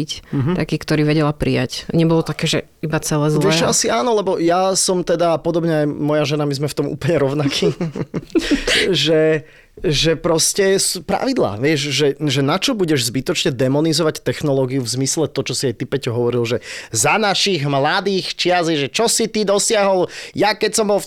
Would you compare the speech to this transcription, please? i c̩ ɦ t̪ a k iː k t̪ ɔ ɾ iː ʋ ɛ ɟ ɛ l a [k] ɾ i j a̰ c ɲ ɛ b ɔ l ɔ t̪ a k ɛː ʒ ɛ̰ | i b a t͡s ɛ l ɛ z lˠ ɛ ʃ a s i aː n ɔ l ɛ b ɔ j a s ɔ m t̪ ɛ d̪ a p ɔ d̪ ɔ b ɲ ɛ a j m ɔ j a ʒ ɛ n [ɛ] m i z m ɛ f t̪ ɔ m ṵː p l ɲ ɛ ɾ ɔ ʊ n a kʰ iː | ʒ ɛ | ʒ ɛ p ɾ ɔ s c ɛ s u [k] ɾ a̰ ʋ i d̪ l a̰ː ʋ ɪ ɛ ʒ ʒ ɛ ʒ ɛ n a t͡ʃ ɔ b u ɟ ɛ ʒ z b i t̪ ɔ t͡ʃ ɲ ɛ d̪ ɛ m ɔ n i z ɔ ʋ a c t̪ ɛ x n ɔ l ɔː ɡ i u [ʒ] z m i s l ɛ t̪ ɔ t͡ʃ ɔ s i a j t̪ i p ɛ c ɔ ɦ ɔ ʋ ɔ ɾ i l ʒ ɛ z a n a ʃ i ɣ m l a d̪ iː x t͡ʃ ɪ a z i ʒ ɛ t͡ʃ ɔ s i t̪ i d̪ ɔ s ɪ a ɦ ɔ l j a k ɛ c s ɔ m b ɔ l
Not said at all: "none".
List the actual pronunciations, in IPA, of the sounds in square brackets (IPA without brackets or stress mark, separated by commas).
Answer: p, a, p, v